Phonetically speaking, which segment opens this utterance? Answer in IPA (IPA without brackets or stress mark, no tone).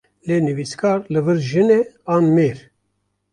l